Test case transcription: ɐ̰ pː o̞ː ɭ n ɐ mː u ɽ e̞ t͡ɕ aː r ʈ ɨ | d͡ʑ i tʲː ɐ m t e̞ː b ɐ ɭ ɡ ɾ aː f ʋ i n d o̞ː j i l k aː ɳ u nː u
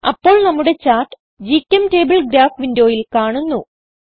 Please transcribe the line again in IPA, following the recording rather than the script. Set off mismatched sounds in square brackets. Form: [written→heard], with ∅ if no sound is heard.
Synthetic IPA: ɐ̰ pː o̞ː ɭ n ɐ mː u ɽ e̞ t͡ɕ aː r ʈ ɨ | d͡ʑ i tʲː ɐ m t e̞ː b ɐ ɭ ɡ ɾ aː f ʋ i n d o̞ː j i l k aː ɳ u nː u

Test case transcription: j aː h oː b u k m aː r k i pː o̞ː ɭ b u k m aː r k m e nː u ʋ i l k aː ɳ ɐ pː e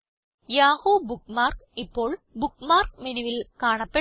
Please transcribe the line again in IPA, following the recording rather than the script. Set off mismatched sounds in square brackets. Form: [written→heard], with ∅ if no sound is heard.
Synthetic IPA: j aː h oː b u k m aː r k i pː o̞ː ɭ b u k m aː r k m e [nː→n] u ʋ i l k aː ɳ ɐ pː e

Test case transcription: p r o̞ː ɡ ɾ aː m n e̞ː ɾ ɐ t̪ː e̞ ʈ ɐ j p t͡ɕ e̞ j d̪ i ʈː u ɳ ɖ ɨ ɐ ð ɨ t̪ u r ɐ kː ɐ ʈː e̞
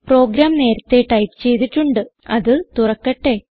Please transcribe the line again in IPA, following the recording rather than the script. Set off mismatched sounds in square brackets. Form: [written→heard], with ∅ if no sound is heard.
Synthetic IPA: p r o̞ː ɡ ɾ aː m n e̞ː ɾ ɐ t̪ː e̞ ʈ ɐ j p t͡ɕ e̞ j [d̪→t̪] i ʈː u ɳ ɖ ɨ ɐ ð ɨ t̪ u r ɐ kː ɐ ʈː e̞

